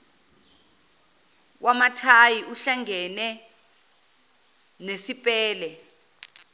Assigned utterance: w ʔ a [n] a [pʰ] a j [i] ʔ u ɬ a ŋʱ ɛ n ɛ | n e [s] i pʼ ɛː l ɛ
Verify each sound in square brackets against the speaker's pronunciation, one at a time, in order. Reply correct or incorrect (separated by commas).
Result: incorrect, incorrect, correct, correct